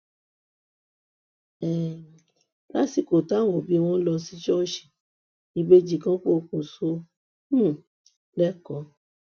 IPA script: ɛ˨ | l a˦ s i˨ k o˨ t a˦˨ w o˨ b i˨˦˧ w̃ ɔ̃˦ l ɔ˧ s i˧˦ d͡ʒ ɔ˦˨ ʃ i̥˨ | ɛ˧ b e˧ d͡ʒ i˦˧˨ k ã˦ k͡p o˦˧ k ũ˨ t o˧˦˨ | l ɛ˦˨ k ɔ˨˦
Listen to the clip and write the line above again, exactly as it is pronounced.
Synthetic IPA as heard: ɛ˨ | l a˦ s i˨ k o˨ t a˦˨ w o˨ b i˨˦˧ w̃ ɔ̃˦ l ɔ˧ s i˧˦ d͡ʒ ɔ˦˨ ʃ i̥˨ | i˧ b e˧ d͡ʒ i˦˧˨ k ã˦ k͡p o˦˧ k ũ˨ s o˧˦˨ | l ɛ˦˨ k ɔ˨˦